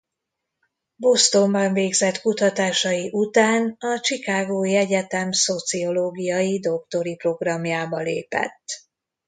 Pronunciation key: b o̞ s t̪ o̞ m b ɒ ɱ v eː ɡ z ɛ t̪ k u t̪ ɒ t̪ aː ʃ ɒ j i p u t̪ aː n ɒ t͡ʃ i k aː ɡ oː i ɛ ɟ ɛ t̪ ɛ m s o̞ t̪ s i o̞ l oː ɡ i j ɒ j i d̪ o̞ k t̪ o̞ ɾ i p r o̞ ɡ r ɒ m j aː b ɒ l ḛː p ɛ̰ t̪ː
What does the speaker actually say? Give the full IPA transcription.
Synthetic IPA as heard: b o̞ s t̪ o̞ m b ɒ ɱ v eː ɡ z ɛ t̪ k u t̪ ɒ t̪ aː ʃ ɒ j i ʔ u t̪ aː n ɒ t͡ʃ i k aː ɡ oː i ɛ ɟ ɛ t̪ ɛ m s o̞ t̪ s i o̞ l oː ɡ i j ɒ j i d̪ o̞ k t̪ o̞ ɾ i p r o̞ ɡ r ɒ m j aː b ɒ l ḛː p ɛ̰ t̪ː